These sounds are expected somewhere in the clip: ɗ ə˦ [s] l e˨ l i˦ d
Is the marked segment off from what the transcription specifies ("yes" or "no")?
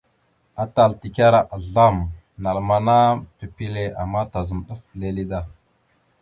yes